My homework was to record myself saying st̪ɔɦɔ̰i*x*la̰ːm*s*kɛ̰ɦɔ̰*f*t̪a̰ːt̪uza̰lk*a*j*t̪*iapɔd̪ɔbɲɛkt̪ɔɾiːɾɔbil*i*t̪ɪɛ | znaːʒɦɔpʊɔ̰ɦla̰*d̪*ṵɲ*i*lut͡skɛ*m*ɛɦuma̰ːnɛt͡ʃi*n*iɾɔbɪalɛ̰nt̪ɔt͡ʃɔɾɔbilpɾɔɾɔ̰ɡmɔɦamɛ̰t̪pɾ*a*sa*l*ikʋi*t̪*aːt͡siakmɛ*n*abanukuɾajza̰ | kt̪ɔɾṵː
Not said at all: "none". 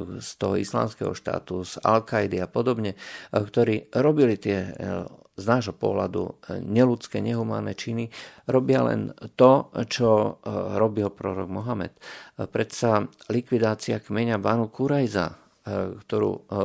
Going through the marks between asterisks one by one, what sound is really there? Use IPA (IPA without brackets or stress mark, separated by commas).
s, s, ʃ, a, d̪, i, d̪, ɛ, ɲ, n, ɛ, l, d̪, ɲ